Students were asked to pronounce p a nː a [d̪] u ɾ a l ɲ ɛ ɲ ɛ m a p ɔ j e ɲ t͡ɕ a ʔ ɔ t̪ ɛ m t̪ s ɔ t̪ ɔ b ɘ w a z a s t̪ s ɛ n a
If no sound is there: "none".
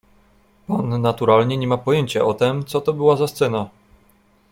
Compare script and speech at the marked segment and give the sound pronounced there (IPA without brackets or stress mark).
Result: t̪